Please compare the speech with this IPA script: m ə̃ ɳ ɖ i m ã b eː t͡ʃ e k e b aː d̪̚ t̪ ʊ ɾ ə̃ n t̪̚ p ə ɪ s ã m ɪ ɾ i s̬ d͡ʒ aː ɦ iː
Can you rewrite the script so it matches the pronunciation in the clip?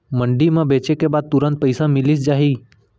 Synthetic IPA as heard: m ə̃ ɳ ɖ i m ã b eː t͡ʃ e k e b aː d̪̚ t̪ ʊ ɾ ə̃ n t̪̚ p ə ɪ s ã m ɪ l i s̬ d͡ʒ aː ɦ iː